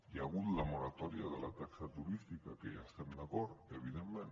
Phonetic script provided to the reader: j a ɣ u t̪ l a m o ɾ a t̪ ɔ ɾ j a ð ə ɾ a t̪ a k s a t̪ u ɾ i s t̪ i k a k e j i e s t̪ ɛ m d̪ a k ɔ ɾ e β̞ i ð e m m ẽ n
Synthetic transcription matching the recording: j a ɣ u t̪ l a m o ɾ a t̪ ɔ ɾ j a ð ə l a t̪ a k s a t̪ u ɾ i s t̪ i k a k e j a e s t̪ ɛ m d̪ a k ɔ ɾ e β̞ i ð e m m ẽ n